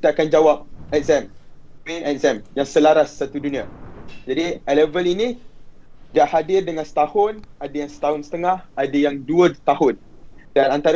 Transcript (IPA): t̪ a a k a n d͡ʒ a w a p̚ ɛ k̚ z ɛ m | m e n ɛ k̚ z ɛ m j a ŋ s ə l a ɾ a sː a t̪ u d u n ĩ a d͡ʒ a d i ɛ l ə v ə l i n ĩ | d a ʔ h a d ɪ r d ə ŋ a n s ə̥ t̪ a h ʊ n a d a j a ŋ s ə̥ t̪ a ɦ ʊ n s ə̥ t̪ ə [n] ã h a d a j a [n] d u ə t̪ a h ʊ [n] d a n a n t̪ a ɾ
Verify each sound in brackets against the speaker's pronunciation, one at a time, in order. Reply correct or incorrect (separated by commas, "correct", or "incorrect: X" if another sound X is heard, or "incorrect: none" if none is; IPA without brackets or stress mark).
incorrect: ŋ, incorrect: ŋ, correct